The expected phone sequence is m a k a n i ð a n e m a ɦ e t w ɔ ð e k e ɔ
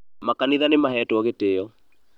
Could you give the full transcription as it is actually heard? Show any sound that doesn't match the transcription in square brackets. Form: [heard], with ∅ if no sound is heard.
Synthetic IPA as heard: m a k a n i ð a n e m a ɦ [ɛ] t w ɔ [ɣ] e [t] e ɔ